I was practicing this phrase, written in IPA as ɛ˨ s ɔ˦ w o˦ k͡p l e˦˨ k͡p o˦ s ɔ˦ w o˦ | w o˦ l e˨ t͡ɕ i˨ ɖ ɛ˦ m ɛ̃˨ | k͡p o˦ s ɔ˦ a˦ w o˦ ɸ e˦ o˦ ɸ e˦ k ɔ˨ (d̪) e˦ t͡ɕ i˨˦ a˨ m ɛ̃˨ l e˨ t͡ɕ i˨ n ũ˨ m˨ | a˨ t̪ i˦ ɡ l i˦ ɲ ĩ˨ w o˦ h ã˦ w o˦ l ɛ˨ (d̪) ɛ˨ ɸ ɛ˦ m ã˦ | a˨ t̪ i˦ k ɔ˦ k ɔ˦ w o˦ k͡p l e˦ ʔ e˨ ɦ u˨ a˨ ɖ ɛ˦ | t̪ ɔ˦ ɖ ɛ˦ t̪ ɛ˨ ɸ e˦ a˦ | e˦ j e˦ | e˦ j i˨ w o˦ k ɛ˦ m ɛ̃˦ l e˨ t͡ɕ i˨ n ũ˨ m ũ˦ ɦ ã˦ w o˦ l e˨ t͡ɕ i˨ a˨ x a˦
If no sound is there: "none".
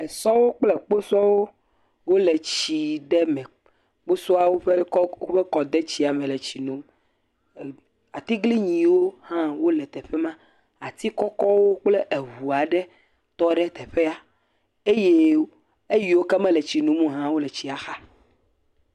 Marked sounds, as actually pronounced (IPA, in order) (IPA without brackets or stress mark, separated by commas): d̪, t̪